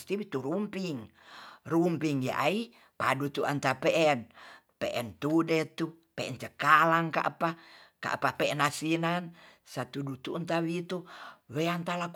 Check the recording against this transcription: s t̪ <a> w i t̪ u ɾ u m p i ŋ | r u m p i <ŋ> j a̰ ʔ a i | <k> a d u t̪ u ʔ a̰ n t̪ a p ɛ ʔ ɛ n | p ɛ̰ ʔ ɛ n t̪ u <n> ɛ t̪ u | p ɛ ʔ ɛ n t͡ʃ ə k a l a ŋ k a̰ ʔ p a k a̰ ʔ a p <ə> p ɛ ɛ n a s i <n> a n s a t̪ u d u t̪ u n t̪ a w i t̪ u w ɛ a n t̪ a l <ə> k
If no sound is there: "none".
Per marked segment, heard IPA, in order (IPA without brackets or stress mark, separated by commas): i, ŋ, p, d, a, n, a